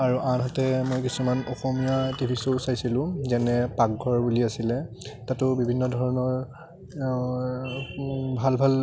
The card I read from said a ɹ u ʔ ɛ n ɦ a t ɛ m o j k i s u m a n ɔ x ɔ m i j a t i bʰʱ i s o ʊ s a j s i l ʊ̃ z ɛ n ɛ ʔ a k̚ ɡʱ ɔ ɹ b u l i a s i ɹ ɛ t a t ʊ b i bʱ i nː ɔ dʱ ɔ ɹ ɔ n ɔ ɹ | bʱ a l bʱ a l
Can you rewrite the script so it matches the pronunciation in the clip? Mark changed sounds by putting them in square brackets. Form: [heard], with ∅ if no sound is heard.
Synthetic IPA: a ɹ u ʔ [a] n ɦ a t ɛ m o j k i s u m a n ɔ x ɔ m i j a t i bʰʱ i s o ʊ s a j s i l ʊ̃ z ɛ n ɛ [p] a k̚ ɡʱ ɔ ɹ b u l i a s i [l] ɛ t a t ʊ b i bʱ i nː ɔ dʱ ɔ ɹ ɔ n ɔ ɹ | bʱ a l bʱ a l

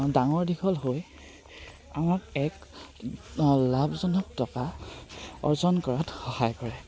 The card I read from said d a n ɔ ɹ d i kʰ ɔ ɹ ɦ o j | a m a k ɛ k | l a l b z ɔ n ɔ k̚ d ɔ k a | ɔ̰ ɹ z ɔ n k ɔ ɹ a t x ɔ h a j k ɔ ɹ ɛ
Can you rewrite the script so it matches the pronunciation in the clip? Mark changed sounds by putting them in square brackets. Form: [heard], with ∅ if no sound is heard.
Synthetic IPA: d a [ŋ] ɔ ɹ d i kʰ ɔ [l] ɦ o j | a m a k ɛ k | l a [∅] b z ɔ n ɔ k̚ [t] ɔ k a | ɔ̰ ɹ z ɔ n k ɔ ɹ a t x ɔ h a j k ɔ ɹ ɛ

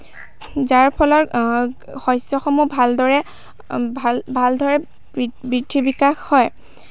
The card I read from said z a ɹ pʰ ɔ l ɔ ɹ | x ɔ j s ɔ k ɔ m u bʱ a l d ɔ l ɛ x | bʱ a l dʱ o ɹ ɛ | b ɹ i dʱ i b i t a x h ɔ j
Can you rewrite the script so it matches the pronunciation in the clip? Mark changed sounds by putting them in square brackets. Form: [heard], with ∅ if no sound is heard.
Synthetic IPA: z a ɹ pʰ ɔ l ɔ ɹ | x ɔ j s ɔ [x] ɔ m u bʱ a l d ɔ [ɹ] ɛ [∅] | bʱ a l dʱ [ɔ] ɹ ɛ | b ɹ i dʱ i b i [k] a x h ɔ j

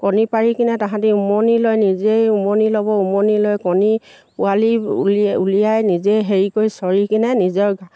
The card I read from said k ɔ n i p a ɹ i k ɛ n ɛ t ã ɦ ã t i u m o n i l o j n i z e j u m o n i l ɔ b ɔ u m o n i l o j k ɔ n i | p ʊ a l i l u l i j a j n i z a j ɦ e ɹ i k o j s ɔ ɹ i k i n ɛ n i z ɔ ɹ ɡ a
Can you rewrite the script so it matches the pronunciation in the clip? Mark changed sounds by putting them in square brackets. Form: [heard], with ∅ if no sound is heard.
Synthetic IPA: k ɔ n i p a ɹ i k [i] n ɛ t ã ɦ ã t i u m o n i l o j n i z e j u m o n i l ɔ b ɔ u m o n i l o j k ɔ n i | p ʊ a l i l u l i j a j n i z [e] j ɦ e ɹ i k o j s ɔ ɹ i k i n ɛ n i z ɔ ɹ ɡ a

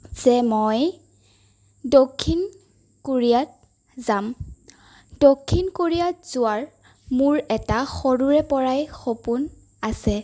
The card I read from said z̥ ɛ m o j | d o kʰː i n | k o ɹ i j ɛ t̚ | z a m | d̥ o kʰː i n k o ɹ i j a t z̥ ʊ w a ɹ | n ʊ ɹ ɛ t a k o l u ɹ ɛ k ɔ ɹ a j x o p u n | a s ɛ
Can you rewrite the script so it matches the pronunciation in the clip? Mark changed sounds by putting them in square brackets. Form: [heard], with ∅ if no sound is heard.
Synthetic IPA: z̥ ɛ m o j | d o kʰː i n | k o ɹ i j [a] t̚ | z a m | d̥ o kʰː i n k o ɹ i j a t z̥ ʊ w a ɹ | [m] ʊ ɹ ɛ t a [x] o [ɹ] u ɹ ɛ [p] ɔ ɹ a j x o p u n | a s ɛ

